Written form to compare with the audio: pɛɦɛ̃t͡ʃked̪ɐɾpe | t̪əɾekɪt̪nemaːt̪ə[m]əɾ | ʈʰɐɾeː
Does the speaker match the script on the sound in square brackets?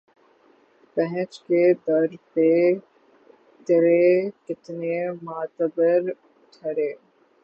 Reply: no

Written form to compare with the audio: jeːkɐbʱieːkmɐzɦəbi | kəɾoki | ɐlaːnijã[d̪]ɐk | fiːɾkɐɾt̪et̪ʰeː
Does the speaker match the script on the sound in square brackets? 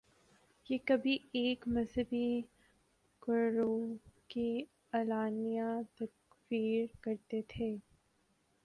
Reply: no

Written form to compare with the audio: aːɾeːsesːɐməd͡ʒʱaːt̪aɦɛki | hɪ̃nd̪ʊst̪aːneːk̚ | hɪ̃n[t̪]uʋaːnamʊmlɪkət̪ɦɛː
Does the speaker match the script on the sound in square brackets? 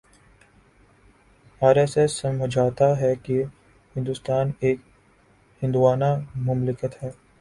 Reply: no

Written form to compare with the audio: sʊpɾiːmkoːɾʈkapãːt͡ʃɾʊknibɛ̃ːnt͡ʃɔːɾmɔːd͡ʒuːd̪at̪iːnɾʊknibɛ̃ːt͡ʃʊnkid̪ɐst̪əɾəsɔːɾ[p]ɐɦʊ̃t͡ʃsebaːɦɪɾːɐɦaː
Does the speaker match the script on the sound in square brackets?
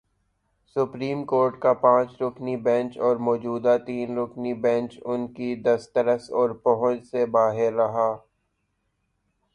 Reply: yes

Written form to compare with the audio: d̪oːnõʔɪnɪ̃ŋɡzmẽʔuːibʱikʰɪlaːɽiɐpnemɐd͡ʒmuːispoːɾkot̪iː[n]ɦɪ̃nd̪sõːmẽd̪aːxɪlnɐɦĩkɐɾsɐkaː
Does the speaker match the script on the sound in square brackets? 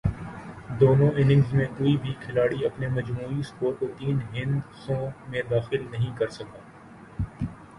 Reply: yes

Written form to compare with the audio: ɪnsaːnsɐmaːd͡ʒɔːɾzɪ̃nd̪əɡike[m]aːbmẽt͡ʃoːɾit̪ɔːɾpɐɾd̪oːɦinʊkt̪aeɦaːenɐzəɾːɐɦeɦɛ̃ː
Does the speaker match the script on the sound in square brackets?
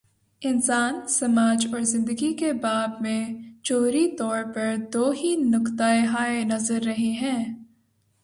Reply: no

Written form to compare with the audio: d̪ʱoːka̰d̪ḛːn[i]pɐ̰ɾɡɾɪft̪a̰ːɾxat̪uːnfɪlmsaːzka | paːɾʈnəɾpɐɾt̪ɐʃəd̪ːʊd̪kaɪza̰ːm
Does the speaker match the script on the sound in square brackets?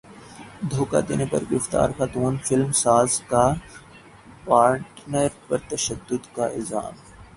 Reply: no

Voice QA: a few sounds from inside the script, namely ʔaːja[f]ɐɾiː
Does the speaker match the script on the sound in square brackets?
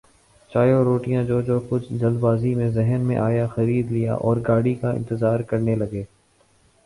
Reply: no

